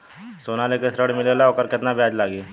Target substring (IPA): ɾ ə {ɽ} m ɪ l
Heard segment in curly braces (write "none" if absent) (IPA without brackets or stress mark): ɽ